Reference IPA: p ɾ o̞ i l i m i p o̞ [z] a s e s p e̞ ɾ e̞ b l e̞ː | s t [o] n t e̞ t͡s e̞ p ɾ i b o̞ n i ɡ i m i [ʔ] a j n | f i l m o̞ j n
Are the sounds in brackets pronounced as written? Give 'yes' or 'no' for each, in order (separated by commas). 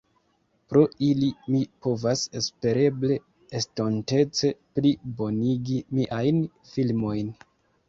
no, yes, yes